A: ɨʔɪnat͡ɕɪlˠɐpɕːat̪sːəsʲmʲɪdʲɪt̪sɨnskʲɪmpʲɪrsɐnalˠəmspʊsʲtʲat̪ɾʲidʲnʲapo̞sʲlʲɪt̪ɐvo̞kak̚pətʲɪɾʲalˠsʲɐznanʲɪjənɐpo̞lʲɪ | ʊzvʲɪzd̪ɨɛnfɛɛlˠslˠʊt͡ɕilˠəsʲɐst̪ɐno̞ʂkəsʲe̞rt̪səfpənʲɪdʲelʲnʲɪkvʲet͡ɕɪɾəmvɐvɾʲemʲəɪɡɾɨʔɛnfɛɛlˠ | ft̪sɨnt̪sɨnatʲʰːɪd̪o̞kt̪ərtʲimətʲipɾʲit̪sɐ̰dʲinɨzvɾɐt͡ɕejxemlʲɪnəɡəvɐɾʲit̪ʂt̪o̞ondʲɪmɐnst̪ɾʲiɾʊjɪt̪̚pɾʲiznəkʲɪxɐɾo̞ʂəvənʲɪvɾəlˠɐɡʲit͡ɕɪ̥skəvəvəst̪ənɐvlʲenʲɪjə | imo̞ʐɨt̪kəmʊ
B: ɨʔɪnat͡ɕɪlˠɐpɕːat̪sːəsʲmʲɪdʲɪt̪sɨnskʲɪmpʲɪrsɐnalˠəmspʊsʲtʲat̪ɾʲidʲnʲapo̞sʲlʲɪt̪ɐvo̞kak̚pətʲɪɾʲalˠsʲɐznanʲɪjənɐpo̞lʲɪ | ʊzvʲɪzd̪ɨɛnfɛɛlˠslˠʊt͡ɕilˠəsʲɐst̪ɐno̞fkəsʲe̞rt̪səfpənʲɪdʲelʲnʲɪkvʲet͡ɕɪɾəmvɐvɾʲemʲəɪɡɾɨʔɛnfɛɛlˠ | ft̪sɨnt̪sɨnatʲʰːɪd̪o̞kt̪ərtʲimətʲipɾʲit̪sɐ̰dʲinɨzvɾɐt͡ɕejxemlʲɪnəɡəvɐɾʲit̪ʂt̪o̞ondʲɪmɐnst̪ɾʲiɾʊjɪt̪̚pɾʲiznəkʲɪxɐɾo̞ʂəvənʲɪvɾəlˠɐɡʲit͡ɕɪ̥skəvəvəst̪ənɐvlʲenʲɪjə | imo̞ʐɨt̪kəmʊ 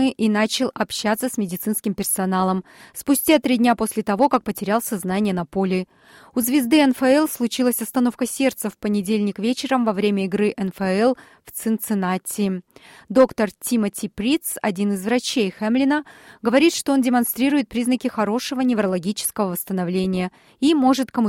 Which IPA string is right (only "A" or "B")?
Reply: B